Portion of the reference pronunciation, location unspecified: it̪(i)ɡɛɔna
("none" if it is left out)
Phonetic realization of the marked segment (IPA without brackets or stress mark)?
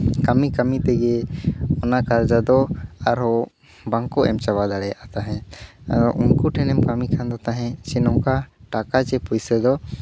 ɛ